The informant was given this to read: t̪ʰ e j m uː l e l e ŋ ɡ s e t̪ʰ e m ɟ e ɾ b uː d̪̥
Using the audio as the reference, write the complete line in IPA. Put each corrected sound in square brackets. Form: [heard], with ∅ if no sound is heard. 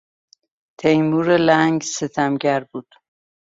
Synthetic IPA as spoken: t̪ʰ e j m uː [ɾ] e l [æ] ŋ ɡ s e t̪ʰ [æ] m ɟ [æ] ɾ b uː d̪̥